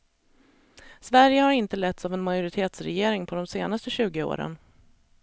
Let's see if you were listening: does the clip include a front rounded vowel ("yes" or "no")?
no